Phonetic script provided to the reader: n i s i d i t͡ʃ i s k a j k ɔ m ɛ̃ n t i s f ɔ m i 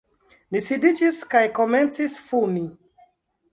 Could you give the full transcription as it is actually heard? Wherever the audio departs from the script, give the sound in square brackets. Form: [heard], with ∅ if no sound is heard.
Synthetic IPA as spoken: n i s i d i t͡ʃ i s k a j k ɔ m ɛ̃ n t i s f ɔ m i